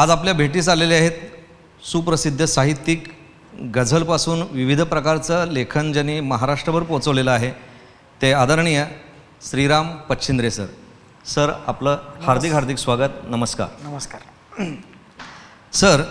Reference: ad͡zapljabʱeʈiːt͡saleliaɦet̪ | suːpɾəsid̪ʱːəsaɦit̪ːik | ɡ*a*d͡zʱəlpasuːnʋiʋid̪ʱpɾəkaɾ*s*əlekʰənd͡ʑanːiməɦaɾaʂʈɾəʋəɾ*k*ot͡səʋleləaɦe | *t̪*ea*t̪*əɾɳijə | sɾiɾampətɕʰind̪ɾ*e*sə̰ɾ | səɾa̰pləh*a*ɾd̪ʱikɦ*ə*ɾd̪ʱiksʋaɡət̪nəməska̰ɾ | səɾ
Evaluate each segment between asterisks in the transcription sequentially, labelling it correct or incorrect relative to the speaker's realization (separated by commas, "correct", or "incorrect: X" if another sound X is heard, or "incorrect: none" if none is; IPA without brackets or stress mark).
incorrect: ə, incorrect: t͡s, incorrect: p, correct, incorrect: d̪, correct, correct, incorrect: a